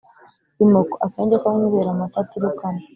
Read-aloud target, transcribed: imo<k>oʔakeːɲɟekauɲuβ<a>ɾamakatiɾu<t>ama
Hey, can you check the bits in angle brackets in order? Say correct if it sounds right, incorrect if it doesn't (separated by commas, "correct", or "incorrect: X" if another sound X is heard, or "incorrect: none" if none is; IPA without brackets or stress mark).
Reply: correct, incorrect: e, incorrect: k